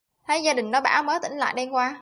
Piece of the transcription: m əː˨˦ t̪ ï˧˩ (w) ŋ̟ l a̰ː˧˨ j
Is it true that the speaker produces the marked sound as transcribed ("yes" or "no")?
no